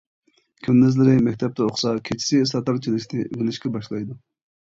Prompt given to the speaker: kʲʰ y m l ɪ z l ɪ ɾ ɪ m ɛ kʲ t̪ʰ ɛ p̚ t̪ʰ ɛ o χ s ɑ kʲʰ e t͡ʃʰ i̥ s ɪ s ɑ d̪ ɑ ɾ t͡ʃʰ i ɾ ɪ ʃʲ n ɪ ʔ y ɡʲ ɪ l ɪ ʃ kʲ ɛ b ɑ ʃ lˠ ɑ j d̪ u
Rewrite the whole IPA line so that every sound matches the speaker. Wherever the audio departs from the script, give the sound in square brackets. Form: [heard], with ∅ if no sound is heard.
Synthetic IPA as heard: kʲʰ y m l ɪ z l ɪ ɾ ɪ m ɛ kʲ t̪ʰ ɛ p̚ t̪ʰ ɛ o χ s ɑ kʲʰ e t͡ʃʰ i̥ s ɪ s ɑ [t̪] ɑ ɾ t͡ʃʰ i [l] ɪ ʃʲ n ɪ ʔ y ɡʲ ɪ l ɪ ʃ kʲ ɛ b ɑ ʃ lˠ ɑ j d̪ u